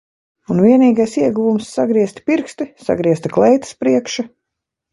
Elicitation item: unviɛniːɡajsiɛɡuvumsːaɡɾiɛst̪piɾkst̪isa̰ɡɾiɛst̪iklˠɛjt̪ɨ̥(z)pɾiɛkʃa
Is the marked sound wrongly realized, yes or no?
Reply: yes